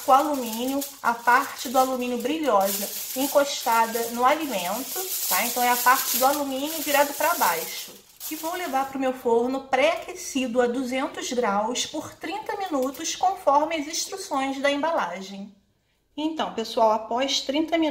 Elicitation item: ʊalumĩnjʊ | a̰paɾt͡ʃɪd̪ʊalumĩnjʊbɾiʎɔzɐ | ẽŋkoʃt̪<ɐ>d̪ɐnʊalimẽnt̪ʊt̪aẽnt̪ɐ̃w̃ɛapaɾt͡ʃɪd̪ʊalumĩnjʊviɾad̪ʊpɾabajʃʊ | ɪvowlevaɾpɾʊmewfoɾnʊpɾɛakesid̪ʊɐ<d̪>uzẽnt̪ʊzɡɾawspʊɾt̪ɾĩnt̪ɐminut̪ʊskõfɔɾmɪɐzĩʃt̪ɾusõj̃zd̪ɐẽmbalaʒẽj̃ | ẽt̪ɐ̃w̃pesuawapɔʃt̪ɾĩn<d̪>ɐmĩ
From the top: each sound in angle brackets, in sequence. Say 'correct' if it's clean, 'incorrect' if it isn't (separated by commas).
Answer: incorrect, correct, incorrect